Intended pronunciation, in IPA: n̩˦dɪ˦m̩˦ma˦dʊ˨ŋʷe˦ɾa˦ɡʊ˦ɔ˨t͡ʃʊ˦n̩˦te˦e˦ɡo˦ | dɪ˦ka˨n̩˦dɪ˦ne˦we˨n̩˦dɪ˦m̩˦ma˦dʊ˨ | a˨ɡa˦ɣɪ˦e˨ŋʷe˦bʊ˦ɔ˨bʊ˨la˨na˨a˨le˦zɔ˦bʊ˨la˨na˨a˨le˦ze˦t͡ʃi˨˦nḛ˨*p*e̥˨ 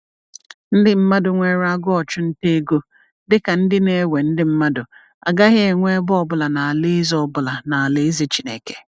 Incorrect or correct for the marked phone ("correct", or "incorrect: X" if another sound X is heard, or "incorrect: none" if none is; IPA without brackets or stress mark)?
incorrect: k